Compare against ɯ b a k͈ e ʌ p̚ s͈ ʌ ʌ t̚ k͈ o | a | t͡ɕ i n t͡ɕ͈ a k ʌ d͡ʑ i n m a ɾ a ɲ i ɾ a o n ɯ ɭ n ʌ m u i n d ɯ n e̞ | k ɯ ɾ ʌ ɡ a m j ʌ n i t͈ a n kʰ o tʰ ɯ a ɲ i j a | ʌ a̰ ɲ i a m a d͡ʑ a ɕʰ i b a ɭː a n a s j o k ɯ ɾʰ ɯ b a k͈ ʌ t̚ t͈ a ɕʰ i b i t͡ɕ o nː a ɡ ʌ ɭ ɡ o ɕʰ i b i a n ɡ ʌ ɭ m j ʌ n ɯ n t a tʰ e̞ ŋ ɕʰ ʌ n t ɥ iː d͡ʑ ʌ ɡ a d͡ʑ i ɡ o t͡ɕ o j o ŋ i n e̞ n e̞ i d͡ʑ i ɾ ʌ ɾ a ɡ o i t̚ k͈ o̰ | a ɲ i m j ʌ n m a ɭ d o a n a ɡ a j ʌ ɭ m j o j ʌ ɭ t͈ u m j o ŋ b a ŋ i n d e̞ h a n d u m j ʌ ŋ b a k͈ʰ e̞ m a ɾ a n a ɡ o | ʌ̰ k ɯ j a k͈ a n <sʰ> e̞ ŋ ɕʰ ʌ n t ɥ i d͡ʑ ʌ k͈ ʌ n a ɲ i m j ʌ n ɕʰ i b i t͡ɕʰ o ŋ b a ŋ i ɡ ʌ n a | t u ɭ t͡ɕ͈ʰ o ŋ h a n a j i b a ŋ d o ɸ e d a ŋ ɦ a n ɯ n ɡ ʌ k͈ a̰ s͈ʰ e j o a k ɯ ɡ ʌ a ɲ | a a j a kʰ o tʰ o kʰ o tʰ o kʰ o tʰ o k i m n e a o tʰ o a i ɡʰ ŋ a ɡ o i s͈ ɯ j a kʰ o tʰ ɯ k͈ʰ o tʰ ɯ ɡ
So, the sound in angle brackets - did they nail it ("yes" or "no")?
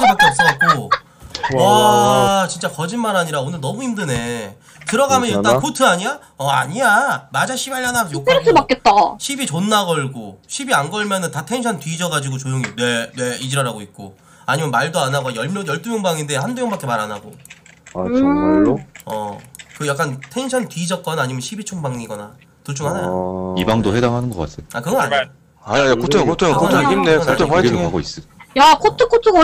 no